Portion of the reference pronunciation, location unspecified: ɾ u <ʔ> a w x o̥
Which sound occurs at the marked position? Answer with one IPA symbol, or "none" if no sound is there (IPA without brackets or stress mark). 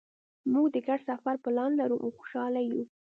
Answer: ʔ